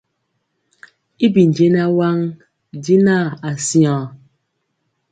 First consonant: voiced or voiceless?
voiced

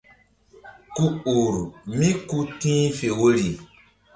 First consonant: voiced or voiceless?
voiceless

